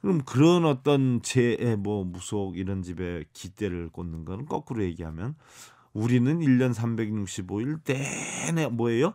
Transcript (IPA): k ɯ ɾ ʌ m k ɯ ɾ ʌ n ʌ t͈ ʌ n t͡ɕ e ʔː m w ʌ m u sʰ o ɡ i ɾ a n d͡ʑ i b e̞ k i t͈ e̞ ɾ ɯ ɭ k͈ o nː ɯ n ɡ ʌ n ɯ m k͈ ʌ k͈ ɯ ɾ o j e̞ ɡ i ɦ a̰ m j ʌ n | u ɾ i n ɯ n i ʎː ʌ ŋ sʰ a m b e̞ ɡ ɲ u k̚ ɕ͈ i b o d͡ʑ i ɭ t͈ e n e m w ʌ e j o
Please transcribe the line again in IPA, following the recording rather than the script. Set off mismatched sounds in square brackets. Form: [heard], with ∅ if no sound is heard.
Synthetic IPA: k ɯ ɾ ʌ m k ɯ ɾ ʌ n ʌ t͈ ʌ n t͡ɕ e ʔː m w ʌ m u sʰ o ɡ i ɾ [ʌ] n d͡ʑ i b e̞ k i t͈ e̞ ɾ ɯ ɭ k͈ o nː ɯ n ɡ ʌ n ɯ [n] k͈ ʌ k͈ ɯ ɾ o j e̞ ɡ i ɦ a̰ m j ʌ n | u ɾ i n ɯ n i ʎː ʌ [n] sʰ a m b e̞ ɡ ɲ u k̚ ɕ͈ i b o [∅] i ɭ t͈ e n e m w ʌ e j o

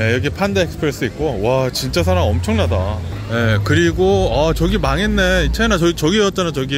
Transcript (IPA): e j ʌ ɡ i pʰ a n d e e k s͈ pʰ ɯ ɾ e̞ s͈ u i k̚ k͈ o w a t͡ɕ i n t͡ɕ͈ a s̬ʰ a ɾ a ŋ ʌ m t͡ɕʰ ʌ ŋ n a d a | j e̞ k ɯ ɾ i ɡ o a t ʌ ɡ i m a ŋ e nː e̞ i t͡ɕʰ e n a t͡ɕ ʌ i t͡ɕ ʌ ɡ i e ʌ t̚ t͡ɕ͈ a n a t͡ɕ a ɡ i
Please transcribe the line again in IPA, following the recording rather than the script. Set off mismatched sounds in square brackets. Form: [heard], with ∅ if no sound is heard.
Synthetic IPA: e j ʌ ɡ i pʰ a n d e e k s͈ pʰ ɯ ɾ e̞ s͈ [ɯ] i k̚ k͈ o w a t͡ɕ i n t͡ɕ͈ a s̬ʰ a ɾ a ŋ ʌ m t͡ɕʰ ʌ ŋ n a d a | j e̞ k ɯ ɾ i ɡ o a [t͡ɕ] ʌ ɡ i m a ŋ e nː e̞ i t͡ɕʰ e n a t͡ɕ ʌ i t͡ɕ ʌ ɡ i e ʌ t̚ t͡ɕ͈ a n a t͡ɕ [ʌ] ɡ i

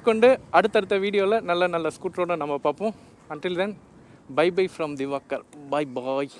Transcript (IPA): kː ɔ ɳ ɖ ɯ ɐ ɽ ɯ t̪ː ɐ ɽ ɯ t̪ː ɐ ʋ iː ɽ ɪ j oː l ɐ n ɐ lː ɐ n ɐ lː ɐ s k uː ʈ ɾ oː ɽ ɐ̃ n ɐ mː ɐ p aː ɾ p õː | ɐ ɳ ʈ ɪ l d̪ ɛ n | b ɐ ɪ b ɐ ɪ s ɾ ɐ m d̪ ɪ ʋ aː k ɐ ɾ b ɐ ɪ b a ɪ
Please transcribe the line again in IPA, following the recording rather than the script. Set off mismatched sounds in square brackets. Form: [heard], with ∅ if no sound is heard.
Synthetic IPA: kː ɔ ɳ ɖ ɯ ɐ ɽ ɯ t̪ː ɐ ɽ ɯ t̪ː ɐ ʋ iː ɽ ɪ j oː l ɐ n ɐ lː ɐ n ɐ lː ɐ s k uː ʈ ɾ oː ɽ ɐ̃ n ɐ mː ɐ p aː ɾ p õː | ɐ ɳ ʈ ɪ l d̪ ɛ n | b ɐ ɪ b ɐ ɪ [f] ɾ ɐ m d̪ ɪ ʋ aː k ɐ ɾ b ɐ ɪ b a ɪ

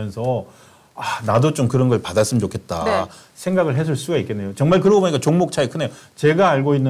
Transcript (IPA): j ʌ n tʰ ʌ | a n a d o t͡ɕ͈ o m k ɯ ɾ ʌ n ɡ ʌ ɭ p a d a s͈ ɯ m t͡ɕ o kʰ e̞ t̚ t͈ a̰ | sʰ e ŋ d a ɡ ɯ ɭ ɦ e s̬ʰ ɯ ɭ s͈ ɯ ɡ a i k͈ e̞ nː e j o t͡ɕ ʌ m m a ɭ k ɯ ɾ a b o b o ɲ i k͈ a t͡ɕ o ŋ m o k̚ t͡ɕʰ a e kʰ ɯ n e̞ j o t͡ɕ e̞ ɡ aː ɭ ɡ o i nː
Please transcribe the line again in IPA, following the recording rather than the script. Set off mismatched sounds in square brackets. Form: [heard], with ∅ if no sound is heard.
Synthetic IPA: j ʌ n [sʰ] ʌ | a n a d o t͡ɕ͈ o m k ɯ ɾ ʌ n ɡ ʌ ɭ p a d a s͈ ɯ m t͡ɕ o kʰ e̞ t̚ t͈ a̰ | sʰ e ŋ [ɡ] a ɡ ɯ ɭ ɦ e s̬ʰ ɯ ɭ s͈ [u] ɡ a i k͈ e̞ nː e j o t͡ɕ ʌ [ŋ] m a ɭ k ɯ ɾ [ʌ] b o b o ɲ i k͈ a t͡ɕ o ŋ m o k̚ t͡ɕʰ a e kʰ ɯ n e̞ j o t͡ɕ e̞ ɡ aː ɭ ɡ o i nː

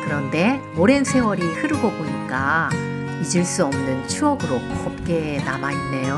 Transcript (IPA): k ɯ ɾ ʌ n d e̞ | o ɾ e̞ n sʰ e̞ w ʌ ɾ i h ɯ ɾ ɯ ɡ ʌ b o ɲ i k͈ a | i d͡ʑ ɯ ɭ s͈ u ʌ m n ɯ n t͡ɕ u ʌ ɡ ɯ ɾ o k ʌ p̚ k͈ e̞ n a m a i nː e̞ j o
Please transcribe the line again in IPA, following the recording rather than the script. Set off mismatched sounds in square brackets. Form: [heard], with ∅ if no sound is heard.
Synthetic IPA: k ɯ ɾ ʌ n d e̞ | o ɾ e̞ n sʰ e̞ w ʌ ɾ i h ɯ ɾ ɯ ɡ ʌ b o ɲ i k͈ a | i d͡ʑ ɯ ɭ s͈ u ʌ m n ɯ n [t͡ɕʰ] u ʌ ɡ ɯ ɾ o k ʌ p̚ k͈ e̞ n a m a i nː e̞ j o

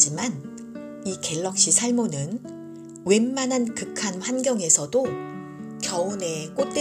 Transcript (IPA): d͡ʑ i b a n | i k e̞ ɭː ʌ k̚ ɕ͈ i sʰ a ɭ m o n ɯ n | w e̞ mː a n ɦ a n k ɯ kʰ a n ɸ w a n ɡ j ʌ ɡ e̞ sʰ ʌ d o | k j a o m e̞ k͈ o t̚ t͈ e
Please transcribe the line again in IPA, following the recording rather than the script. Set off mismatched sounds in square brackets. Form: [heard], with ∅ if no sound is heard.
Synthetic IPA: d͡ʑ i [m] a n | i k e̞ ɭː ʌ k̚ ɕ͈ i sʰ a ɭ m o n ɯ n | w e̞ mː a n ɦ a n k ɯ kʰ a n ɸ w a n ɡ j ʌ [ŋ] e̞ sʰ ʌ d o | k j [ʌ] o [n] e̞ k͈ o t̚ t͈ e

